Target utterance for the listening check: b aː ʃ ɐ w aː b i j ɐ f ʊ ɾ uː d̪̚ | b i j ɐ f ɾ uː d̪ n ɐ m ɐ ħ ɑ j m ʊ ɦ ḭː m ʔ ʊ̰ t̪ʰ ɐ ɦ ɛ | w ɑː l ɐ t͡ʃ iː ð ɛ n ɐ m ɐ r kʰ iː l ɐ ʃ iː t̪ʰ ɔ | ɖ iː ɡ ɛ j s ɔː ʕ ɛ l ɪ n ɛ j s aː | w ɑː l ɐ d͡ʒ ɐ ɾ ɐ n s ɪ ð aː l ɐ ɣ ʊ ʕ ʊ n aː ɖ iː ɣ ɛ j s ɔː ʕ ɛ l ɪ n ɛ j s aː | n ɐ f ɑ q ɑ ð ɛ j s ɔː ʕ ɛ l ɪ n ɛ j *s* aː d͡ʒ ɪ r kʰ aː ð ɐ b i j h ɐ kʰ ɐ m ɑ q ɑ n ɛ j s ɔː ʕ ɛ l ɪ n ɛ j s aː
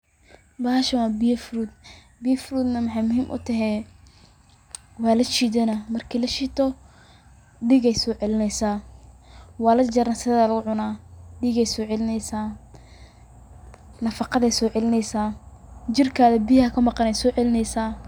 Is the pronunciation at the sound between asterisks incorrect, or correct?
correct